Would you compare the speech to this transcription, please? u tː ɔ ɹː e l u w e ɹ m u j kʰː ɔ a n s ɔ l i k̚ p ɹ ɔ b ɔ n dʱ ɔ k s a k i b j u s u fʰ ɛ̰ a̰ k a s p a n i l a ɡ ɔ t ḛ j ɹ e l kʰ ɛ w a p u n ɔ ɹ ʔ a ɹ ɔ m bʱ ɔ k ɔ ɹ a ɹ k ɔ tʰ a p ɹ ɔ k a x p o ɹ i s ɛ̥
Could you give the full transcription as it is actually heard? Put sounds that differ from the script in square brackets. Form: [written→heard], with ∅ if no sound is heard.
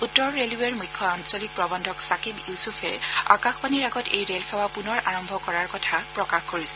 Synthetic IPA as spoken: u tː ɔ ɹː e l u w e ɹ m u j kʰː ɔ a n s ɔ l i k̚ p ɹ ɔ b ɔ n dʱ ɔ k s a k i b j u s u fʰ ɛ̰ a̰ k a [s→x] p a n i [l→ɹ] a ɡ ɔ t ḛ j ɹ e l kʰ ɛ w a p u n ɔ ɹ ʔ a ɹ ɔ m bʱ ɔ k ɔ ɹ a ɹ k ɔ tʰ a p ɹ ɔ k a x [p→k] o ɹ i s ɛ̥